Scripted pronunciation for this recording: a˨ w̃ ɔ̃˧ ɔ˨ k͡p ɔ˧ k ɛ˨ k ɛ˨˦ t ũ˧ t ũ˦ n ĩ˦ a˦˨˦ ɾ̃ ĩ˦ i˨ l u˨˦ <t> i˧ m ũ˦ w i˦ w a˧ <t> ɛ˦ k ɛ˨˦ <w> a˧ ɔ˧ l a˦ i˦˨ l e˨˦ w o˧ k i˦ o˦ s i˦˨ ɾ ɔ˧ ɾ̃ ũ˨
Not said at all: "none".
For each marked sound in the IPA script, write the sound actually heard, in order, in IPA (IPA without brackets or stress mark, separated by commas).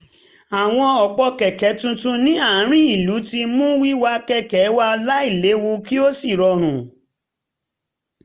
t, k, w